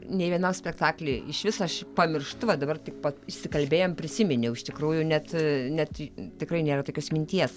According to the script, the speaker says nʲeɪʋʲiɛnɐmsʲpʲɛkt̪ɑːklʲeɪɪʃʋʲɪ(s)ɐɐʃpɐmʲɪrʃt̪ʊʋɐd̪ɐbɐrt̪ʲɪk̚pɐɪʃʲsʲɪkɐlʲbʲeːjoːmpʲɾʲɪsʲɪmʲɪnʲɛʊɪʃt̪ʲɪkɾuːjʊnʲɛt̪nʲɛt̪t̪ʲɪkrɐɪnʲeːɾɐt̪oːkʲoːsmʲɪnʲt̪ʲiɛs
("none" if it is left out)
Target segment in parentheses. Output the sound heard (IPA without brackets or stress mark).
s